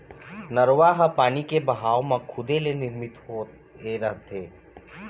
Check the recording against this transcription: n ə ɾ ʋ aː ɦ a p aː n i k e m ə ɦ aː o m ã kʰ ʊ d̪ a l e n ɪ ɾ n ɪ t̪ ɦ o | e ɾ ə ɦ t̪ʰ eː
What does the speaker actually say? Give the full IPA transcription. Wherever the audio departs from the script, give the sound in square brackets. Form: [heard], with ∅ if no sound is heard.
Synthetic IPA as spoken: n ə ɾ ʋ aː ɦ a p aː n i k e [b] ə ɦ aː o m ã kʰ ʊ d̪ [e] l e n ɪ ɾ [m] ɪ t̪ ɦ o | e ɾ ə ɦ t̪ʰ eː